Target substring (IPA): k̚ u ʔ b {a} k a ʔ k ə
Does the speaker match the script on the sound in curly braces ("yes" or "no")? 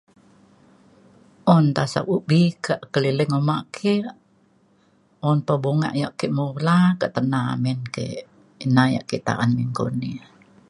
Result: no